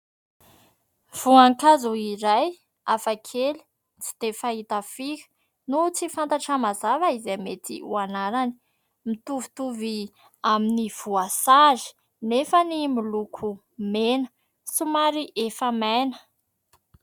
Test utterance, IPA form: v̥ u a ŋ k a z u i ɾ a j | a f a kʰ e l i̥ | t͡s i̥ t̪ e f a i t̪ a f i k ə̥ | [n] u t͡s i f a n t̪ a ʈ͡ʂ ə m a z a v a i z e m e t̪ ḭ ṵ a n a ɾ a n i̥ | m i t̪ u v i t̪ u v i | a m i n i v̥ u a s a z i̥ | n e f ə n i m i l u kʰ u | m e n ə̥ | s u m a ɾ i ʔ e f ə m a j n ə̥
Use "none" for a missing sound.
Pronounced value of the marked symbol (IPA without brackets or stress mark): n